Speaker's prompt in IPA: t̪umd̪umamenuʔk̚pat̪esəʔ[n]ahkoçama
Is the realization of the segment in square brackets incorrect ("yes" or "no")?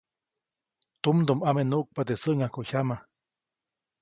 yes